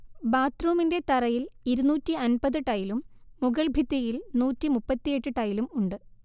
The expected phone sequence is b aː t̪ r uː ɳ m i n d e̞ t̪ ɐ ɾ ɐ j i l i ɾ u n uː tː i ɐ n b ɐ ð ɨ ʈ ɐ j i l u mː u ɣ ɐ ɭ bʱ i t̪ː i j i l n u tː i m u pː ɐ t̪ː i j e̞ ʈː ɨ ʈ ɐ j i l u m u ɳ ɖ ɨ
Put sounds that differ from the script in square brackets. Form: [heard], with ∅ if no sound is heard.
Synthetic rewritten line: b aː t̪ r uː [∅] m i n d e̞ t̪ ɐ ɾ ɐ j i l i ɾ u n uː tː i ɐ n b ɐ ð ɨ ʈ ɐ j i l u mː u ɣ ɐ ɭ bʱ i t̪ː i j i l n [uː] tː i m u pː ɐ t̪ː i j e̞ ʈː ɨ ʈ ɐ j i l u m u ɳ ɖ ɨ